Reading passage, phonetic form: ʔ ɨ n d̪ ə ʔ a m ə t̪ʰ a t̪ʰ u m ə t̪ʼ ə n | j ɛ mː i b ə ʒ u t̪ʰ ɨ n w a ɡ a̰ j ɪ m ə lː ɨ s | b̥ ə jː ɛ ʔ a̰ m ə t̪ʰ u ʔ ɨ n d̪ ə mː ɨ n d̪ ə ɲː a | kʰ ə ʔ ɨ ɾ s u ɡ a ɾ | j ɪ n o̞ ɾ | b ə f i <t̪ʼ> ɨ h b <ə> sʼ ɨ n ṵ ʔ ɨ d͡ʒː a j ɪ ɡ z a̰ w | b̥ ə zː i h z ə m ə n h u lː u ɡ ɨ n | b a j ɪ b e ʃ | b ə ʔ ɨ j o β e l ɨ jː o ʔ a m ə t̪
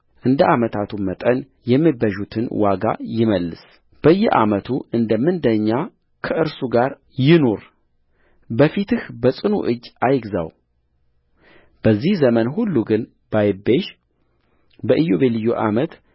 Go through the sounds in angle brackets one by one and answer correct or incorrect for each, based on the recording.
incorrect, correct

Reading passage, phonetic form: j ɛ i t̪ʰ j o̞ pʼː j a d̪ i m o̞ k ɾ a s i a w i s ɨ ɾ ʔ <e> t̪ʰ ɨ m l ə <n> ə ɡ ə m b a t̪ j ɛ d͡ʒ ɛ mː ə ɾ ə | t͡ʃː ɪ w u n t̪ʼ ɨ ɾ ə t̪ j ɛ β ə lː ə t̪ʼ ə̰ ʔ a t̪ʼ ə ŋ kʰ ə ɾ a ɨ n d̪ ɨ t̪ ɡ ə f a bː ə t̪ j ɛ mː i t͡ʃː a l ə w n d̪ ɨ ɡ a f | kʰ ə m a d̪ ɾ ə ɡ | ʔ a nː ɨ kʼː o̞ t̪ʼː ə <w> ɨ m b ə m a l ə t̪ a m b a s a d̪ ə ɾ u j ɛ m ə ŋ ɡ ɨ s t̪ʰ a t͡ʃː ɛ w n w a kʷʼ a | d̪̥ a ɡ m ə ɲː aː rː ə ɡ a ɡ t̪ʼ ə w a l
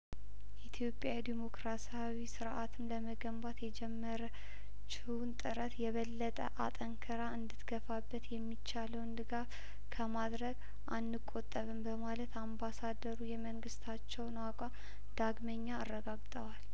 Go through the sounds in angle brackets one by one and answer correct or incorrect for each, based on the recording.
incorrect, incorrect, incorrect

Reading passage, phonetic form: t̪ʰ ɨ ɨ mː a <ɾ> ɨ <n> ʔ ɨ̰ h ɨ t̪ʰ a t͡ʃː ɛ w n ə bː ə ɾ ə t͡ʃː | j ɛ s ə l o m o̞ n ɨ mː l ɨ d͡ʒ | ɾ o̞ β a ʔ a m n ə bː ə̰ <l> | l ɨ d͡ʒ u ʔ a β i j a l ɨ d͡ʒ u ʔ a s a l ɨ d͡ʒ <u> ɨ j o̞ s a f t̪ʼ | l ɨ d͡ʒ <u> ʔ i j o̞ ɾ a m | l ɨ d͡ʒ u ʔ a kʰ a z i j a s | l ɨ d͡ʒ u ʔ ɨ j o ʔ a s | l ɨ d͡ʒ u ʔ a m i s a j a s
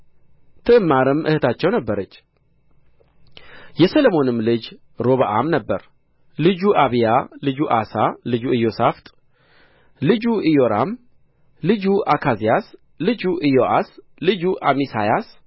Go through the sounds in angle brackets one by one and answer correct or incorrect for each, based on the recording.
correct, incorrect, incorrect, correct, correct

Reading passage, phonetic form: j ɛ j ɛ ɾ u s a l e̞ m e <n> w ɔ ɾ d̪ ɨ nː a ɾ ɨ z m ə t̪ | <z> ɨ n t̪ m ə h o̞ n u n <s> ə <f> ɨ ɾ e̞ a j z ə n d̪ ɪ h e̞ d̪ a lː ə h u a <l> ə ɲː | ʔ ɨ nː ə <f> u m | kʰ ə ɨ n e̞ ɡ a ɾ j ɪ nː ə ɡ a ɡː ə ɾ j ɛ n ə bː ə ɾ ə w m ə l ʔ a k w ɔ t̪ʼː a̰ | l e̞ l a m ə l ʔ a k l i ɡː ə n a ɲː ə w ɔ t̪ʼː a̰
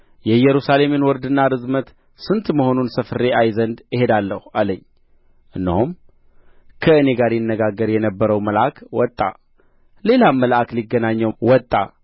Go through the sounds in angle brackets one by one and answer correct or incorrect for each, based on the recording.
correct, incorrect, correct, correct, correct, incorrect

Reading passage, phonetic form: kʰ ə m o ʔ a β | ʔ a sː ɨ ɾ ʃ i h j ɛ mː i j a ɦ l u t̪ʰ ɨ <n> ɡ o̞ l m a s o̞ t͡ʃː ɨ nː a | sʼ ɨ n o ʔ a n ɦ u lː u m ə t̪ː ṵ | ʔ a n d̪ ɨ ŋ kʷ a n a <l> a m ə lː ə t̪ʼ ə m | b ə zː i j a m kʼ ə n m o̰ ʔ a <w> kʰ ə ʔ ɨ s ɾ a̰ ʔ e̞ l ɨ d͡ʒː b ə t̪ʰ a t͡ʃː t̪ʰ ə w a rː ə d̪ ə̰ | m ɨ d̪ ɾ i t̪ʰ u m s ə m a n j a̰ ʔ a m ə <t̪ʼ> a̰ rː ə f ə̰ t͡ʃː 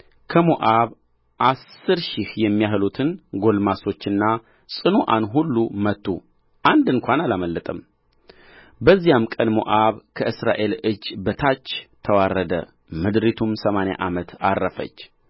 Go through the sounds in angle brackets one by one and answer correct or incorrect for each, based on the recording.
correct, correct, incorrect, incorrect

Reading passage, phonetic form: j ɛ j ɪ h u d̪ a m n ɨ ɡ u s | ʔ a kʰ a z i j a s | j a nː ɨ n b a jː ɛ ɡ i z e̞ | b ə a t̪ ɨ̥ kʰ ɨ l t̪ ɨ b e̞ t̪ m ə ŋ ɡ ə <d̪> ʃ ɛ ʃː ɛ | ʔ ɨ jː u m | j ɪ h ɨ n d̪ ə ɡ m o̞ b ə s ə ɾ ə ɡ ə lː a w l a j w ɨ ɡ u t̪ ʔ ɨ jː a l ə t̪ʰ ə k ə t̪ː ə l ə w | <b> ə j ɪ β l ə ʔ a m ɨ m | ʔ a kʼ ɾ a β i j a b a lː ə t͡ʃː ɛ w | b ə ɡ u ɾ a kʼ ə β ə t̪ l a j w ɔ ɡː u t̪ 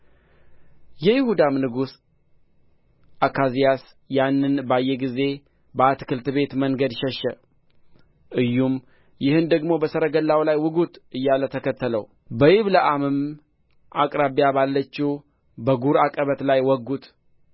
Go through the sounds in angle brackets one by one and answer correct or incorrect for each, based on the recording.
correct, correct

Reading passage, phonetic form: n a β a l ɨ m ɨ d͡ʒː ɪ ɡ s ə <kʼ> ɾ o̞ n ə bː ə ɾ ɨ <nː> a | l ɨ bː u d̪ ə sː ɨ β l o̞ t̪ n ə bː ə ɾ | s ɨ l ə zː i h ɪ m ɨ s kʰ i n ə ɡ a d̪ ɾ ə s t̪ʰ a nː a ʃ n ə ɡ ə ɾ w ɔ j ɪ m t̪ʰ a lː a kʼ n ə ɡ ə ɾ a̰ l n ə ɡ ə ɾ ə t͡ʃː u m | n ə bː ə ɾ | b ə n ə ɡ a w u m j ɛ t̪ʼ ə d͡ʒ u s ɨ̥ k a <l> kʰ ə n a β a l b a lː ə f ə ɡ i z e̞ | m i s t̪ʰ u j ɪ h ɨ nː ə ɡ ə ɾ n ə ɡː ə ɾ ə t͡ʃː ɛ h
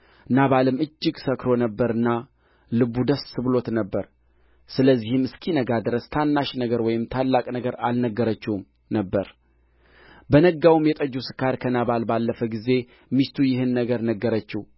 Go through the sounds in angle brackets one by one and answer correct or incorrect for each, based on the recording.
incorrect, correct, incorrect

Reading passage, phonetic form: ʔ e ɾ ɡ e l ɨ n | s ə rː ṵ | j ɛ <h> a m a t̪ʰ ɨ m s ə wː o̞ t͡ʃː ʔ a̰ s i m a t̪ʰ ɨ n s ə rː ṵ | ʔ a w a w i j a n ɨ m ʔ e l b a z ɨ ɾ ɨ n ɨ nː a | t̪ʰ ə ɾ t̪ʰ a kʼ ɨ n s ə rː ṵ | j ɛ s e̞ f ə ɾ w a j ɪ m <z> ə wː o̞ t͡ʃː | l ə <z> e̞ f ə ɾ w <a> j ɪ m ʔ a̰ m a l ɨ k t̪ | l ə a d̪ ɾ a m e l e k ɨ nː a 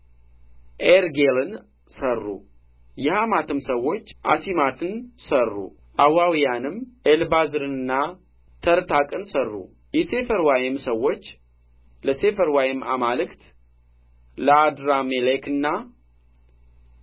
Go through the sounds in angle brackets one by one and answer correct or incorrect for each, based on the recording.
correct, incorrect, incorrect, correct

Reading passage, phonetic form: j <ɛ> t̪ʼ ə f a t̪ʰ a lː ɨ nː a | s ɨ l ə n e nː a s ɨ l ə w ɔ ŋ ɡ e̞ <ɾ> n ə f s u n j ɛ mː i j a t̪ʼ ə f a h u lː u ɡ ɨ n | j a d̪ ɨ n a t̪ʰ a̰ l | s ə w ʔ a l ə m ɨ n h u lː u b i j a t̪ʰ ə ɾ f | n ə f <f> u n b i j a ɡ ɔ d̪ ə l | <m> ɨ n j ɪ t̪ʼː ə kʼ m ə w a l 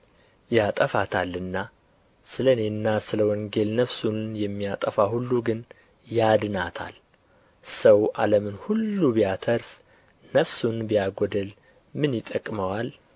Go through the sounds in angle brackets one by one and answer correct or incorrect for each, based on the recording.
incorrect, incorrect, incorrect, correct

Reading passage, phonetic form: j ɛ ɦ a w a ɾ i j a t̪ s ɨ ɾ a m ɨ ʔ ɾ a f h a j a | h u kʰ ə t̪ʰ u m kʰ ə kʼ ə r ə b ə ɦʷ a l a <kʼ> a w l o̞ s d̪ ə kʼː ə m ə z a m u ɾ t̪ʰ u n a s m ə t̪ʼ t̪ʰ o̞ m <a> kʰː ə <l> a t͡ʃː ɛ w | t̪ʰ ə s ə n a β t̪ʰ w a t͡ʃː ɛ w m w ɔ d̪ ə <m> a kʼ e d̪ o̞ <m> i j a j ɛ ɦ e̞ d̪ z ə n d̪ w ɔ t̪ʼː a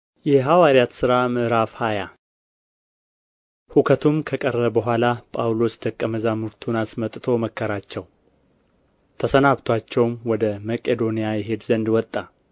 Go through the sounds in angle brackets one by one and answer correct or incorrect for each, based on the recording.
incorrect, incorrect, incorrect, correct, incorrect

